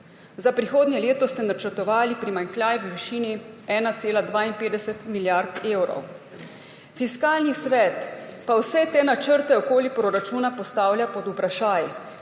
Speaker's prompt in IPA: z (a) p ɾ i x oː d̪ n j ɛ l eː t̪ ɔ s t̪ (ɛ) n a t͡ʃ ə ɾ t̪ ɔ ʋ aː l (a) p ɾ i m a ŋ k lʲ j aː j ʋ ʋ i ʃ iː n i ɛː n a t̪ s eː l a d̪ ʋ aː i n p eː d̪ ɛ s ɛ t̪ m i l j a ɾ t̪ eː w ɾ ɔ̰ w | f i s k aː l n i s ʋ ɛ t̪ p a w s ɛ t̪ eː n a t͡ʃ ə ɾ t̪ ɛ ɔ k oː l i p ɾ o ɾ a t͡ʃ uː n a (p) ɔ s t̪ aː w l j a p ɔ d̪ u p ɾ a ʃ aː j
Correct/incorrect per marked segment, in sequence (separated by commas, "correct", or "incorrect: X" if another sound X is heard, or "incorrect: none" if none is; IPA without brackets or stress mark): correct, correct, incorrect: i, correct